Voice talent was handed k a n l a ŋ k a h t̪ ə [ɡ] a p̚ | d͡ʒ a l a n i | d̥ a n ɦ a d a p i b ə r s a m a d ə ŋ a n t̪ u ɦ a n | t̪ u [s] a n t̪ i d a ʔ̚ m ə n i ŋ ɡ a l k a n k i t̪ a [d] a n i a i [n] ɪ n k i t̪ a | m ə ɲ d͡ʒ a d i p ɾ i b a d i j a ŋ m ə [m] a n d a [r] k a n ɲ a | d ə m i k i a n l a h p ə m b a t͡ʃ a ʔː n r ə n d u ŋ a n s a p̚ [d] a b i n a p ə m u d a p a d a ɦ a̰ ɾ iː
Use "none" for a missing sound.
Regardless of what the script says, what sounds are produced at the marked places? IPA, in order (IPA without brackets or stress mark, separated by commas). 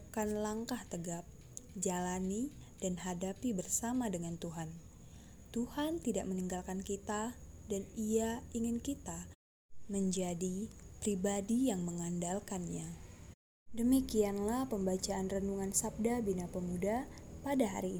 ɡ, h, d, ŋ, ŋ, l, d